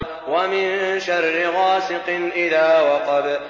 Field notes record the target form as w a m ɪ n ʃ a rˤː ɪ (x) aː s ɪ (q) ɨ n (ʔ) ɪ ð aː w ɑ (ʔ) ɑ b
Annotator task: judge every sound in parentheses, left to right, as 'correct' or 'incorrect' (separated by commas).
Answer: incorrect, correct, correct, incorrect